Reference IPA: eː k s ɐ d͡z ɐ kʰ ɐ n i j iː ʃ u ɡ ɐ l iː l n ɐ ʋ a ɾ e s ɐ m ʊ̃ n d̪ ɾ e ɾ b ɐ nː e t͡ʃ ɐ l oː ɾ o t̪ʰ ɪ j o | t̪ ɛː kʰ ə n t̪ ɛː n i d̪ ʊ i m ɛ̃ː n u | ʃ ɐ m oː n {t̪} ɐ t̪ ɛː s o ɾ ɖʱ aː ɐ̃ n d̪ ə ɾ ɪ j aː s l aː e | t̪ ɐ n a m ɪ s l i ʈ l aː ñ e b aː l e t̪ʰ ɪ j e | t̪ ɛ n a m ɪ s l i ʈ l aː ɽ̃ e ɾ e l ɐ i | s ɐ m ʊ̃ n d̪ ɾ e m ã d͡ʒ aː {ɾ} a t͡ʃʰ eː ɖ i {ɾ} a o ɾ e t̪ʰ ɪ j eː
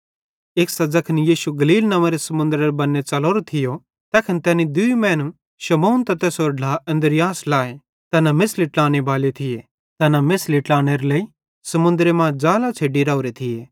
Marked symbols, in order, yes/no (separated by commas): yes, no, yes